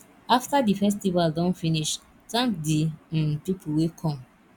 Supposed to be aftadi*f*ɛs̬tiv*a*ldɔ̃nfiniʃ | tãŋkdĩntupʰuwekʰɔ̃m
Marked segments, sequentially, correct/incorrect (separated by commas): correct, correct